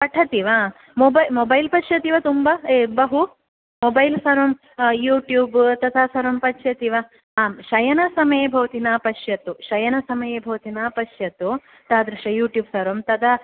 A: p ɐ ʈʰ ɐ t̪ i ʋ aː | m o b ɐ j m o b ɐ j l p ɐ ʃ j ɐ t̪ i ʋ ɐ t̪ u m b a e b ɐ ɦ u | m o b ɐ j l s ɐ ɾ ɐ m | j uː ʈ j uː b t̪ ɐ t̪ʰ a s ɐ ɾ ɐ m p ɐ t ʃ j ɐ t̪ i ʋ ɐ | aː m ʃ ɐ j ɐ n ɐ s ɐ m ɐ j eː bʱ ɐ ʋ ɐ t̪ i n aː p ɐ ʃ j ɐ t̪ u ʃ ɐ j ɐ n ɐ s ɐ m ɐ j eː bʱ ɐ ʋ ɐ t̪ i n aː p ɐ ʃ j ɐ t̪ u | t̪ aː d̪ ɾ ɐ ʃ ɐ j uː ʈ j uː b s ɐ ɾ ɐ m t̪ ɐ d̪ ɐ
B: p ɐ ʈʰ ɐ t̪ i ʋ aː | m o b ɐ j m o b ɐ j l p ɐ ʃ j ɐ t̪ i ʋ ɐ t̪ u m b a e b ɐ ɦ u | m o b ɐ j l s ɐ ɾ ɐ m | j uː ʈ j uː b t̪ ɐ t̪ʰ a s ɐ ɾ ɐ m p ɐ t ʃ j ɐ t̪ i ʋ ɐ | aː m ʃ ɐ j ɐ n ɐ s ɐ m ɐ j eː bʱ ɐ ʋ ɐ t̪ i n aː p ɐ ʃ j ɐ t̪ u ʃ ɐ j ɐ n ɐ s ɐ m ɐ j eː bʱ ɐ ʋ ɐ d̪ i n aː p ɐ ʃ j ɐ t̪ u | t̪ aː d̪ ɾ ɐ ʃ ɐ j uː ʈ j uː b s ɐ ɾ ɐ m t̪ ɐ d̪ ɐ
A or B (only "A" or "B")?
A